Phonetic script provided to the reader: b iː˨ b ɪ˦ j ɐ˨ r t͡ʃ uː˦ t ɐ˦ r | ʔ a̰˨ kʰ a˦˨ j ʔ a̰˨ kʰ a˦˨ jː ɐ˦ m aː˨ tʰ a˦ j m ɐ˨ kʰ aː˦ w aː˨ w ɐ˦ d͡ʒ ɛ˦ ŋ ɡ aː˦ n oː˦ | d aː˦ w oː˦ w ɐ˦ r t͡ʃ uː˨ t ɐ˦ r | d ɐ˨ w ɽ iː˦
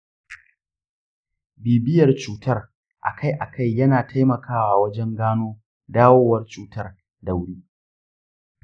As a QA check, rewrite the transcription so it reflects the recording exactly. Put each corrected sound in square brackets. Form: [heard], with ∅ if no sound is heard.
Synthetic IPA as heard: b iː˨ b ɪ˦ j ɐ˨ r t͡ʃ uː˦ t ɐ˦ r | ʔ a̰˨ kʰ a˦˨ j ʔ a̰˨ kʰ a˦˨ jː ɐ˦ [n] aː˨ tʰ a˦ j m ɐ˨ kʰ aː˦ w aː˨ w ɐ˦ d͡ʒ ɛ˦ ŋ ɡ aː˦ n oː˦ | d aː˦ w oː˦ w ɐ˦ r t͡ʃ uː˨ t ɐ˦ r | d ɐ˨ w ɽ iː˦